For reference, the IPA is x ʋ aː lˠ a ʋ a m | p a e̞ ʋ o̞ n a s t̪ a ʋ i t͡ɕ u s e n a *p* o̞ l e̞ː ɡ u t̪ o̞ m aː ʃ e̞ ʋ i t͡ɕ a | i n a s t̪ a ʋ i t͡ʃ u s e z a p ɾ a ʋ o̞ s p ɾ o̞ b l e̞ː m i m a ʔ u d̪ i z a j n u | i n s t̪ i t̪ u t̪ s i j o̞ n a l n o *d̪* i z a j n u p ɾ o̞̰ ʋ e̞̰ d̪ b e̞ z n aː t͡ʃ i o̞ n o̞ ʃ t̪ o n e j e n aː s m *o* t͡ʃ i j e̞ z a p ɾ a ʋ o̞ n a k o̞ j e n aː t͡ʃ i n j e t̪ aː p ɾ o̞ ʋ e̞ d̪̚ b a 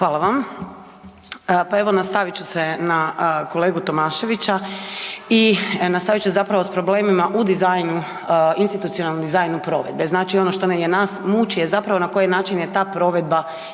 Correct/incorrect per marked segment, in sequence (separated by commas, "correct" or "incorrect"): incorrect, correct, incorrect